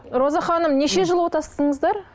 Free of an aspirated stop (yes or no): yes